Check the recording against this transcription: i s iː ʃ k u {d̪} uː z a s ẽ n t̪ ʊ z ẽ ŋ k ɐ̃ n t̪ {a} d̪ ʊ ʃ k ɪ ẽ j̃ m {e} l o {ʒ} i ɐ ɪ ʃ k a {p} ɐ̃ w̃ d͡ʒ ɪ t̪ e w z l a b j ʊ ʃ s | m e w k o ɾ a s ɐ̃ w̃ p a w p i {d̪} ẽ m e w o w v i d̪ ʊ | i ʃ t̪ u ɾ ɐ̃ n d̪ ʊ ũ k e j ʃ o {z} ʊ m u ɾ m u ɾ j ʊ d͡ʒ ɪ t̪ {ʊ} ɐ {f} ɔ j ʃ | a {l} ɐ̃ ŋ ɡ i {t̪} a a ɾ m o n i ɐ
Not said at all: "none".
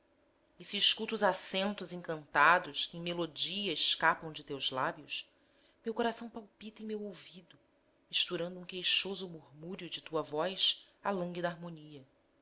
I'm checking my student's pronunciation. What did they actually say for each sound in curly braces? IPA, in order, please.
t̪, a, e, d͡ʒ, p, t̪, z, u, v, l, d̪

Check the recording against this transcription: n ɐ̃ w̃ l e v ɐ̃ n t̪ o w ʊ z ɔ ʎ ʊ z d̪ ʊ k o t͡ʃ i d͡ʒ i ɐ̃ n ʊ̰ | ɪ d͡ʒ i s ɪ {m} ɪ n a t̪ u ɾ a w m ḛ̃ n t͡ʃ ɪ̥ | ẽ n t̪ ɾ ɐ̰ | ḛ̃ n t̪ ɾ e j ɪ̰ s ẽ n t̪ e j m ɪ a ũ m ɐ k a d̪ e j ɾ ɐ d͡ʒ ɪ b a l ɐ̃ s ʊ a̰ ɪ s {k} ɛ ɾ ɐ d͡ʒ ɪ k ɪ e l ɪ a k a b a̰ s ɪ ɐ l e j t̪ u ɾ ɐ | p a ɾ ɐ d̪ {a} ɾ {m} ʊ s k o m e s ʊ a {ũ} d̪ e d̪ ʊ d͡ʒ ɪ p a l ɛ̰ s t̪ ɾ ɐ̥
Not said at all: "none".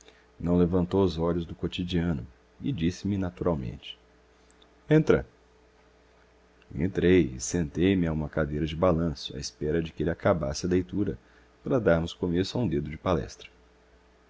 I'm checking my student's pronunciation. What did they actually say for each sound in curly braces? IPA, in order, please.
m, p, a, m, ũ

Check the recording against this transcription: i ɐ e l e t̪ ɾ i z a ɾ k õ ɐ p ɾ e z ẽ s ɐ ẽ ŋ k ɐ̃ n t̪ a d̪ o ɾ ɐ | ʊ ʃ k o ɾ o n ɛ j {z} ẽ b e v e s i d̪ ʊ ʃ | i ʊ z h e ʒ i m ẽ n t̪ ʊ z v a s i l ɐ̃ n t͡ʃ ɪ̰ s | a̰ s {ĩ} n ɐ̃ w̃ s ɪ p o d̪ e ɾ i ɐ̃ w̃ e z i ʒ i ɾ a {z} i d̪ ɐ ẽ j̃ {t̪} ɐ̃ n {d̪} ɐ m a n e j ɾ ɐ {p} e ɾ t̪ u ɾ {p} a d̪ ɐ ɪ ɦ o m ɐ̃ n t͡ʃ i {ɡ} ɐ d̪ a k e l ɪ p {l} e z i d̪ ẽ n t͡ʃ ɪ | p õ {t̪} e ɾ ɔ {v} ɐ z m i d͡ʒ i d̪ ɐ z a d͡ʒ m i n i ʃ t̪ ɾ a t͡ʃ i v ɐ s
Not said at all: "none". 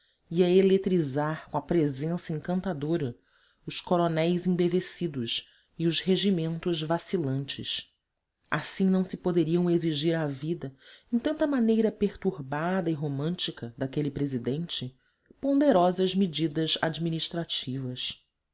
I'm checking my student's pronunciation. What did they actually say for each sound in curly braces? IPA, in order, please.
z, ĩ, v, t̪, t̪, p, b, k, ɾ, d̪, z

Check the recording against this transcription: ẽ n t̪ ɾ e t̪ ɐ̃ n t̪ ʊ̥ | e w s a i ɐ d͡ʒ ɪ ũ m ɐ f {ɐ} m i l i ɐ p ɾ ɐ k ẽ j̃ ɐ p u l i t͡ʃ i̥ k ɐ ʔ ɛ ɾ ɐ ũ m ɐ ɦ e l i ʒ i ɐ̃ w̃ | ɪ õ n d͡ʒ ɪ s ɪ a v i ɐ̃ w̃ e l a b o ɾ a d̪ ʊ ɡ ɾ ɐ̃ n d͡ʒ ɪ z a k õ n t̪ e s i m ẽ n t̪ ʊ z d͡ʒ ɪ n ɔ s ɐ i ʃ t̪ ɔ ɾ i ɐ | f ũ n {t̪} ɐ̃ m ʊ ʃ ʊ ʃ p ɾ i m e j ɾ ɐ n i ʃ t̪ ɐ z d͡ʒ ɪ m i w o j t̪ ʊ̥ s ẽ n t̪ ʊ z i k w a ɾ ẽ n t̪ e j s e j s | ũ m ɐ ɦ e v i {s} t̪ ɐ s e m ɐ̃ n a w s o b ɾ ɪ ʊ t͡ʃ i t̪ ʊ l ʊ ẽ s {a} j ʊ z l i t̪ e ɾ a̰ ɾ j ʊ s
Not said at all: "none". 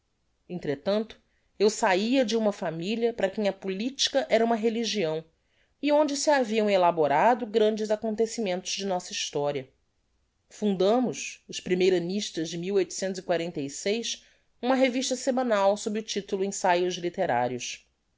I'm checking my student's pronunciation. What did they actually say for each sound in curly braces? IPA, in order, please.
a, d̪, ʃ, a

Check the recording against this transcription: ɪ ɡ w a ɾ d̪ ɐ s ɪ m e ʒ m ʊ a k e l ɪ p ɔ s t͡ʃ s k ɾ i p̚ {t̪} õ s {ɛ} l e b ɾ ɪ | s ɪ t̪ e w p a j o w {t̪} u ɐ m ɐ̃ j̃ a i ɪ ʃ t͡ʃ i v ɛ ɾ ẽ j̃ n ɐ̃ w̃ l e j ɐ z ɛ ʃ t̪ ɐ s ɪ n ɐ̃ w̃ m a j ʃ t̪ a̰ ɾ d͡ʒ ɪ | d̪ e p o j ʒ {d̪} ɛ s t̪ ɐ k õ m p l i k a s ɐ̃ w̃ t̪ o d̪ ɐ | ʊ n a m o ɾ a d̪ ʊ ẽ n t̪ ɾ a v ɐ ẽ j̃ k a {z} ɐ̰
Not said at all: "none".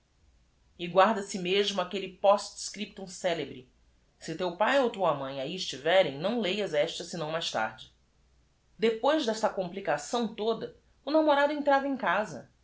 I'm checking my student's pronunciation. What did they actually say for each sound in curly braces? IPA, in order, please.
t̪, ɛ, t̪, d̪, z

